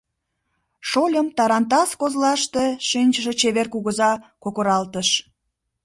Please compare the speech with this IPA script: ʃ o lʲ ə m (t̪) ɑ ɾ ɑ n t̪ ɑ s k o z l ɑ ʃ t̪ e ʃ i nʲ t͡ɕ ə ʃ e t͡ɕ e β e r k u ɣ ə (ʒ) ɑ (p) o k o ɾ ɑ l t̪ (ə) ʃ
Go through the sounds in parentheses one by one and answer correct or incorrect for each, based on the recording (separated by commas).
correct, incorrect, incorrect, correct